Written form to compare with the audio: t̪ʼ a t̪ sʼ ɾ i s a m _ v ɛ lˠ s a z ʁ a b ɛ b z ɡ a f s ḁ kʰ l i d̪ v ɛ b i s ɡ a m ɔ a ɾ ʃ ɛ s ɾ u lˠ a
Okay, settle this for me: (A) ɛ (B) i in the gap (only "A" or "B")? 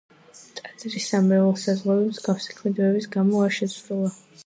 A